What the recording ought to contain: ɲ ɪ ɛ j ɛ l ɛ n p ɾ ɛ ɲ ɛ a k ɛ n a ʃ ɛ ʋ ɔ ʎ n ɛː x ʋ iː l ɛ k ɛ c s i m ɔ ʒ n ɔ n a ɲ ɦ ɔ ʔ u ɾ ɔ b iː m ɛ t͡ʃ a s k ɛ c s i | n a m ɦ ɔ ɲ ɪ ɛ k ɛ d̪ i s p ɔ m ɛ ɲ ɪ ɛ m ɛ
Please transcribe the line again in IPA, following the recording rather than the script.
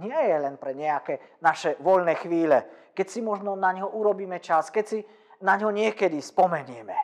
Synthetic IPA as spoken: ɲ ɪ ɛ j ɛ l ɛ n p ɾ ɛ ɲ ɛ a k ɛ n a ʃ ɛ ʋ ɔ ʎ n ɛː x ʋ iː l ɛ k ɛ c s i m ɔ ʒ n ɔ n a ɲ ɦ ɔ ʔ u ɾ ɔ b iː m ɛ t͡ʃ a s k ɛ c s i | n a ɲ ɦ ɔ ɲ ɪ ɛ k ɛ d̪ i s p ɔ m ɛ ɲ ɪ ɛ m ɛ